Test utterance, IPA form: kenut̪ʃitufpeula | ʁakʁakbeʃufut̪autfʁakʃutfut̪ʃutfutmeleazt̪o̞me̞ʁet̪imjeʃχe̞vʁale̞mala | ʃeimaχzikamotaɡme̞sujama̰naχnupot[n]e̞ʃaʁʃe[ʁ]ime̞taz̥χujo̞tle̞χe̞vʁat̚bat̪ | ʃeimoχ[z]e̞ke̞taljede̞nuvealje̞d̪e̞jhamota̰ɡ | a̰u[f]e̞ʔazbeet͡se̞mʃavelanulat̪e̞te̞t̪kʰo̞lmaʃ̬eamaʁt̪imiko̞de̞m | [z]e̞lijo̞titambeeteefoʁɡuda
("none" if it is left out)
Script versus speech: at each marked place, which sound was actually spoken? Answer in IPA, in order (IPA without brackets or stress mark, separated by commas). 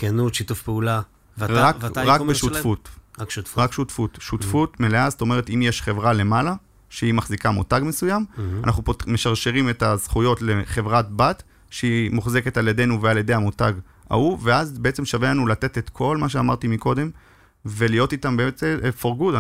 m, ʁ, z, v, v